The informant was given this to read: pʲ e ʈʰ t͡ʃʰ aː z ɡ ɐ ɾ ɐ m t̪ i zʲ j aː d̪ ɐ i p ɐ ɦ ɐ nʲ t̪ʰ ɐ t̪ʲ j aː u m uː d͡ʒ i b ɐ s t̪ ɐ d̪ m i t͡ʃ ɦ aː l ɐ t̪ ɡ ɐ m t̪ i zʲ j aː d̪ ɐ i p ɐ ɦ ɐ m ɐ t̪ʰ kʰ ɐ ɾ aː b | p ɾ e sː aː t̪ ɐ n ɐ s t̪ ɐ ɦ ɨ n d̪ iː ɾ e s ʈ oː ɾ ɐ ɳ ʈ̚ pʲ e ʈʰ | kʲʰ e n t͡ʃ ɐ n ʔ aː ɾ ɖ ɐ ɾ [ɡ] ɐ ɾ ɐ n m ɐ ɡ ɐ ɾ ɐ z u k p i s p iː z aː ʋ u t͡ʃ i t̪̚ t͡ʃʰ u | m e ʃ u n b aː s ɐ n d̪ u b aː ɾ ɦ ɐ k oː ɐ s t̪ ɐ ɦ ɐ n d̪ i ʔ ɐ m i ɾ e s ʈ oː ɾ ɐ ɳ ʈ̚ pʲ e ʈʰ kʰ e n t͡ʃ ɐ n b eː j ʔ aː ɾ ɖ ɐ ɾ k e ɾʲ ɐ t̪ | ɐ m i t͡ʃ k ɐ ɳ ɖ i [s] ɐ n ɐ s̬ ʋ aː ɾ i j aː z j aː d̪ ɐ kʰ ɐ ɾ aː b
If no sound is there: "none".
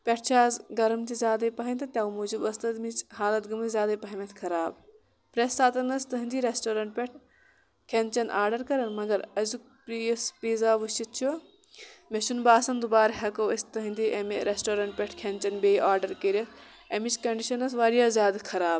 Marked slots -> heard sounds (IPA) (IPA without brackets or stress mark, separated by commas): k, ʃ